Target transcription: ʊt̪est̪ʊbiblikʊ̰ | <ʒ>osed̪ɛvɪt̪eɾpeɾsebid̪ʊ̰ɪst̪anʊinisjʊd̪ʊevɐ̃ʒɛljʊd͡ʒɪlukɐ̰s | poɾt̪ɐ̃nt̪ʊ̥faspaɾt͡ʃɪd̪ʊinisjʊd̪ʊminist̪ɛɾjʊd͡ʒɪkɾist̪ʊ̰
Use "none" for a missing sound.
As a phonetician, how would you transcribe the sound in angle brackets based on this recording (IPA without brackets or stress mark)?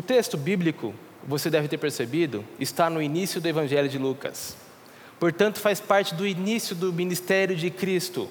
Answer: v